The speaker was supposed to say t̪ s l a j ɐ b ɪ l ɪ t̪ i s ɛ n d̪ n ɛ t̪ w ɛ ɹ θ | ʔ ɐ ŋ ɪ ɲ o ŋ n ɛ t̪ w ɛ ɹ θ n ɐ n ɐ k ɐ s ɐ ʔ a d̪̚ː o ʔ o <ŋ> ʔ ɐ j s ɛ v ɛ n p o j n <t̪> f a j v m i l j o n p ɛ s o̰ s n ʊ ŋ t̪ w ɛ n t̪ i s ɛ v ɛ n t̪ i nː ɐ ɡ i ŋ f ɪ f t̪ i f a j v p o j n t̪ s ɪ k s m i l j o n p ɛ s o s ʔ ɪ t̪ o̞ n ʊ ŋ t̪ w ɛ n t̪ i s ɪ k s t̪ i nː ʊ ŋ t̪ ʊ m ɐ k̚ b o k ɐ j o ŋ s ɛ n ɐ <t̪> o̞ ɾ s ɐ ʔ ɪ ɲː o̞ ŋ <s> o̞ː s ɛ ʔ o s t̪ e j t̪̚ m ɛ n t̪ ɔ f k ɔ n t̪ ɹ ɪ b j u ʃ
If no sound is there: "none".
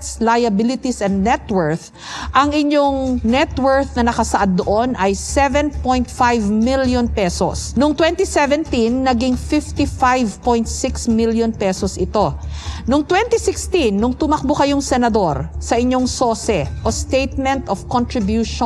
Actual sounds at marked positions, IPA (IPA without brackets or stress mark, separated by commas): n, t̪, d̪, s